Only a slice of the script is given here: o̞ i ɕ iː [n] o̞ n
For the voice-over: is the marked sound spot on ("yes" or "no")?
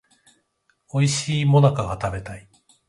no